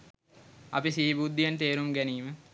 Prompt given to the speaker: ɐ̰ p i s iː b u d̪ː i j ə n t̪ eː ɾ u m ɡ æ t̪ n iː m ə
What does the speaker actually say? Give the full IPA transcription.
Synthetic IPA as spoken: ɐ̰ p i s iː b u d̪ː i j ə n t̪ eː ɾ u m ɡ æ n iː m ə